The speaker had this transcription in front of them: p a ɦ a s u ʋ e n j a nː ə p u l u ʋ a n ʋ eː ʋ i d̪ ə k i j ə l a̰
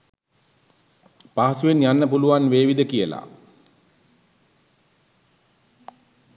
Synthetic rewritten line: p a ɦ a s u ʋ e n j a nː ə p u l u ʋ a n ʋ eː ʋ i d̪ ə k i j ə l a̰